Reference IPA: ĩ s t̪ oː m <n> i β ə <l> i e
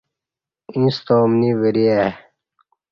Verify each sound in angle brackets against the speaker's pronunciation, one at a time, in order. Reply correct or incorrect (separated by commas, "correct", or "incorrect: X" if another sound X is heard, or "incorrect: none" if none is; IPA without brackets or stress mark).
correct, incorrect: ɾ